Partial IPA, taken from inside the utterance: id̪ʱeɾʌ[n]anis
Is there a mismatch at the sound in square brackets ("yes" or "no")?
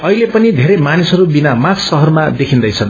yes